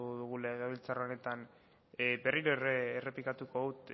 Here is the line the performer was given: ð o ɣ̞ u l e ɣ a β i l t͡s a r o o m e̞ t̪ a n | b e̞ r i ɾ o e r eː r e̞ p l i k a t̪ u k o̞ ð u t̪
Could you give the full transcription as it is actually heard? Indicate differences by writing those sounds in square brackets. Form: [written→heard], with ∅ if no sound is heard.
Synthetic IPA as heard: ð [o→u] ɣ̞ u l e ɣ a β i l t͡s a r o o [m→n] e̞ t̪ a n | b e̞ r i ɾ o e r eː r e̞ p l i k a t̪ u k o̞ ð u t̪